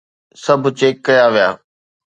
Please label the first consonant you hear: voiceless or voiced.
voiceless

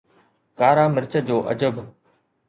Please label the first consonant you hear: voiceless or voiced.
voiceless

